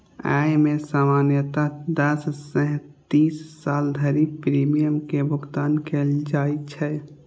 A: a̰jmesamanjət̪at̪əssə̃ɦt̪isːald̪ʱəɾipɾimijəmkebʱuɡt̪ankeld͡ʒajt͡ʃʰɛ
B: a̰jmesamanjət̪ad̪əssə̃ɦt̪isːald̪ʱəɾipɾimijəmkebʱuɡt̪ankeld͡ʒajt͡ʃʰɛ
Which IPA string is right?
B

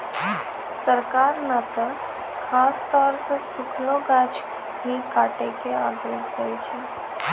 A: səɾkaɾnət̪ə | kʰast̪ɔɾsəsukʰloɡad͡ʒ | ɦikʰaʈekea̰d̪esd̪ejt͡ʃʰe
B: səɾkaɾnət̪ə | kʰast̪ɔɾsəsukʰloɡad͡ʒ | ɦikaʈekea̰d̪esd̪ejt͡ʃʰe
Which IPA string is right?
B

